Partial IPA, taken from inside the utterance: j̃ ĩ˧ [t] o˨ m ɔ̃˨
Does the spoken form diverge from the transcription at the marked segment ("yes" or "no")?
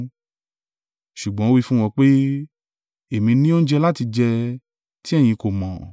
yes